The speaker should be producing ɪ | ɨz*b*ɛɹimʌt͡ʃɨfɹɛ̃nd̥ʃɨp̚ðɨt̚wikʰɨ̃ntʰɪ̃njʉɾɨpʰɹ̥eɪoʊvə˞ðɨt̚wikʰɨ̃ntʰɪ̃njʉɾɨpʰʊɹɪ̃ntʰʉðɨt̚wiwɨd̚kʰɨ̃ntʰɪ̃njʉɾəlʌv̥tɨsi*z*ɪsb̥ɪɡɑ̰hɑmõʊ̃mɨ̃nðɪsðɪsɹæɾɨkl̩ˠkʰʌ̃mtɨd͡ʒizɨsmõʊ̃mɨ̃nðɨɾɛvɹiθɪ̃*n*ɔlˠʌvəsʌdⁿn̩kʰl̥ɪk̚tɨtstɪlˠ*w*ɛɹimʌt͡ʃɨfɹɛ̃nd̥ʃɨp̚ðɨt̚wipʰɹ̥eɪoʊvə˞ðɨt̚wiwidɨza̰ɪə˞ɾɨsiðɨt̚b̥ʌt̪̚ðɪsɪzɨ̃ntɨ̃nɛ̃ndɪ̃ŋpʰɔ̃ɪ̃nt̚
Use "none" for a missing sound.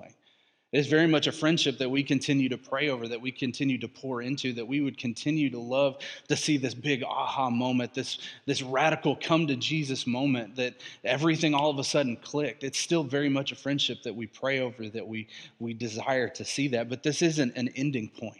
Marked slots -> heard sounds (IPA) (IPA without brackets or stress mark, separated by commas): v, ð, ŋ, v